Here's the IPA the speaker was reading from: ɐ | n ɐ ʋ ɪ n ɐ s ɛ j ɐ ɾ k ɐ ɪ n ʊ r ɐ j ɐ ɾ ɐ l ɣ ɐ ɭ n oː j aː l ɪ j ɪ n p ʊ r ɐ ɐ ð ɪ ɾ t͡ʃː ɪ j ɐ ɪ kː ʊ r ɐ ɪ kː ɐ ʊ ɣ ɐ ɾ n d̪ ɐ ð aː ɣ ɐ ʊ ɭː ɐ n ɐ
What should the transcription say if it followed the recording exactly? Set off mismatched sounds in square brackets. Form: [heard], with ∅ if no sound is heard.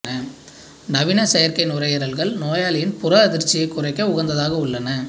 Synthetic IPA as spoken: ɐ | n ɐ ʋ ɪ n ɐ s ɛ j ɐ ɾ k ɐ ɪ n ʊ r ɐ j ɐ ɾ ɐ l ɣ ɐ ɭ n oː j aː l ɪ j ɪ n p ʊ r ɐ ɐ ð ɪ ɾ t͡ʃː ɪ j ɐ ɪ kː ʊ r ɐ ɪ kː ɐ ʊ ɣ ɐ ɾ n d̪ ɐ ð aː ɣ ɐ ʊ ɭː ɐ n ɐ